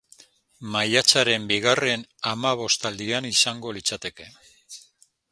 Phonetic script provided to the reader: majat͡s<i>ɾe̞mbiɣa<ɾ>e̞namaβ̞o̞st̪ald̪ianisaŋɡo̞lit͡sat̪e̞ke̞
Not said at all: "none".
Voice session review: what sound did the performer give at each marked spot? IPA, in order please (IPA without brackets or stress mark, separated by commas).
a, r